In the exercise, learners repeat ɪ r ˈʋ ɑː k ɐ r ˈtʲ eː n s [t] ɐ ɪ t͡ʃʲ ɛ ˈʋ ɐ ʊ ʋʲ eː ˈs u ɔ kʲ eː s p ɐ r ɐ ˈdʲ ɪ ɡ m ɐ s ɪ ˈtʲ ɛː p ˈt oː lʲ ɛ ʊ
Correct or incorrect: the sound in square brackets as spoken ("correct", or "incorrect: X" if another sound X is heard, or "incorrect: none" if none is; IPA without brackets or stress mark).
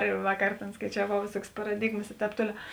incorrect: k